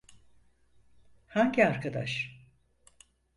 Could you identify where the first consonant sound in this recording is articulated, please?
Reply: glottal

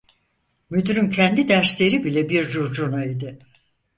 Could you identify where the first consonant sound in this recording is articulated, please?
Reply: labial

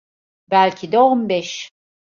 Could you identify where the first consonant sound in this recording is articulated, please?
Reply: labial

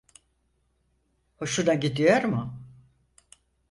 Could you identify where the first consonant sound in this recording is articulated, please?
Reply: glottal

